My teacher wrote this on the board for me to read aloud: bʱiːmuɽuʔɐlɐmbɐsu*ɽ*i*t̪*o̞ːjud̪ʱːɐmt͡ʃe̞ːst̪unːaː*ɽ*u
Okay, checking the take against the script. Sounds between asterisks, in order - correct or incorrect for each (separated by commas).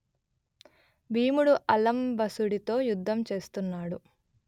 correct, correct, correct